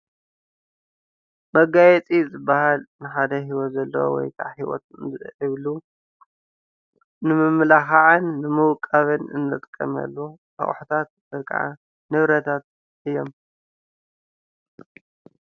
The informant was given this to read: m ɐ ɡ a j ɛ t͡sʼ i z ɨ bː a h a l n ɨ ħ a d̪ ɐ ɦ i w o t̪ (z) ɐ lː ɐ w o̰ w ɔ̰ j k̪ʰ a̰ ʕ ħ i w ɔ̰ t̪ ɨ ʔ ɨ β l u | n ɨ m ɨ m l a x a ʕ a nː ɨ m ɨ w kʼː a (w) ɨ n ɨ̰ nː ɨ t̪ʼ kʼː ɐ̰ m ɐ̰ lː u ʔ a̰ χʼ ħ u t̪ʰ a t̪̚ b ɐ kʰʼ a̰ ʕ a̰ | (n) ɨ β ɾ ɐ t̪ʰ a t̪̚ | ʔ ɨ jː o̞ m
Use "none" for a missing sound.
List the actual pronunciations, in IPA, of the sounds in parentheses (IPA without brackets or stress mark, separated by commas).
z, β, n